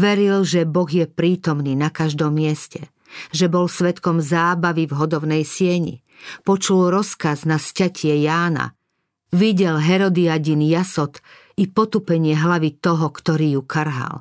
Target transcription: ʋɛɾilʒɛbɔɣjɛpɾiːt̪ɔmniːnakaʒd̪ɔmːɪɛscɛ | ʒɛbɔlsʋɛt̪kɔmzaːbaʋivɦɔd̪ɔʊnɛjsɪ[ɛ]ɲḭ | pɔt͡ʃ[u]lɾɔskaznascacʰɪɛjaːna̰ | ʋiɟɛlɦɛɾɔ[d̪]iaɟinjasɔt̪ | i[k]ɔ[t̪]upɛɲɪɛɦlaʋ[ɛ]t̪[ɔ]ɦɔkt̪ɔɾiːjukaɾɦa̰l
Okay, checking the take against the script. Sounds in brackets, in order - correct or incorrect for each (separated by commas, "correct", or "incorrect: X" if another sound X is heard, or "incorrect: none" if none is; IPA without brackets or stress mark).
correct, correct, correct, incorrect: p, correct, incorrect: i, correct